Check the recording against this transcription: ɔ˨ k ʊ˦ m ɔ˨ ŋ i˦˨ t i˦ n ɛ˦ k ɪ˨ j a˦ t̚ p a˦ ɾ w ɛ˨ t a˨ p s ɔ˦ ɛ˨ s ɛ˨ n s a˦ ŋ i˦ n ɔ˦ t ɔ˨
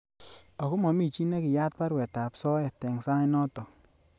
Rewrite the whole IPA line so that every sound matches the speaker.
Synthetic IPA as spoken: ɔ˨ k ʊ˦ m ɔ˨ m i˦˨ t͡ʃ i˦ n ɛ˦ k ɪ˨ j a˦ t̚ p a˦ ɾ w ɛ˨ t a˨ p s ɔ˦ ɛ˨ t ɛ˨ ŋ s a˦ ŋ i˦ n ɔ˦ t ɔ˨